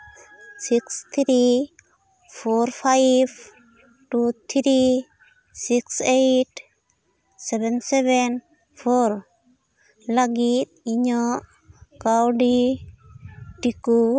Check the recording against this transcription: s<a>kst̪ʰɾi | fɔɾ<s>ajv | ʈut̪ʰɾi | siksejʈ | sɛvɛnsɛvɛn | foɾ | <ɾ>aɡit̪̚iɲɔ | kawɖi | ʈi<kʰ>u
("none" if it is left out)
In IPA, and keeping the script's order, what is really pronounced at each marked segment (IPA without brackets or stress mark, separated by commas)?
i, f, l, k